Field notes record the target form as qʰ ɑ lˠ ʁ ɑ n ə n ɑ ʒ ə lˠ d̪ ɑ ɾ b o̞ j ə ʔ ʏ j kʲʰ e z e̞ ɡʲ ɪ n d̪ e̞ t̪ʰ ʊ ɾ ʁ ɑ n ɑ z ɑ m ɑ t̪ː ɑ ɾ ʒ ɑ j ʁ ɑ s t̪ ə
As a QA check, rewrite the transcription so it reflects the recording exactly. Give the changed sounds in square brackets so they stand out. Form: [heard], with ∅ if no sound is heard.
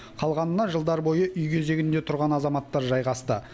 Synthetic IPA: qʰ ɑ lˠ ʁ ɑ n ə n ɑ ʒ ə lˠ d̪ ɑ ɾ b o̞ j ə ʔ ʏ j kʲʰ e z e̞ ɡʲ ɪ n d̪ e̞ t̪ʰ ʊ ɾ ʁ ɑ n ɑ z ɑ m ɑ t̪ː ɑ ɾ ʒ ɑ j ʁ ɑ s t̪ ə